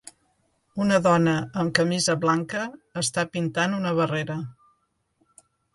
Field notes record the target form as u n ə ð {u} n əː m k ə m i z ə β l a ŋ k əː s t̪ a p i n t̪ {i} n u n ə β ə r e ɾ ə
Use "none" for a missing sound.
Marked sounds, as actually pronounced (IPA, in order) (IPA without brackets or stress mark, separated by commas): ɔ, a